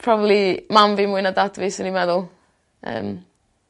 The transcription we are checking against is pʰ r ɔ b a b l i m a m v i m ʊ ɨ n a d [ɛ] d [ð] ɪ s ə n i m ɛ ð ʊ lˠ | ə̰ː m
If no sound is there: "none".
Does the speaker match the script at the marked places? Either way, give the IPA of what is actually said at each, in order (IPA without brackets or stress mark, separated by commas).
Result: a, v